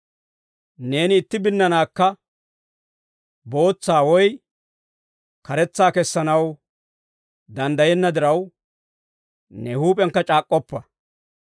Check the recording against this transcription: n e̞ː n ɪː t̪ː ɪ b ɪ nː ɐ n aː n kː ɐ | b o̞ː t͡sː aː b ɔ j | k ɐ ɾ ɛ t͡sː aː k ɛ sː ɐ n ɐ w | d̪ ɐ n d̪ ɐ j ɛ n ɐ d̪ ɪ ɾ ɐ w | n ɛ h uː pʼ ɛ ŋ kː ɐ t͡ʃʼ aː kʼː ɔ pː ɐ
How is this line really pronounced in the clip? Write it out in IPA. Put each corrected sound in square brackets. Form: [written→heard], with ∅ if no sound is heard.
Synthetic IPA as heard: n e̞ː n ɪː t̪ː ɪ b ɪ nː ɐ n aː [n→∅] kː ɐ | b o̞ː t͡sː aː [b→w] ɔ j | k ɐ ɾ ɛ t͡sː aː k ɛ sː ɐ n ɐ w | d̪ ɐ n d̪ ɐ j ɛ [n→nː] ɐ d̪ ɪ ɾ ɐ w | n ɛ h uː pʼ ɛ ŋ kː ɐ t͡ʃʼ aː kʼː ɔ pː ɐ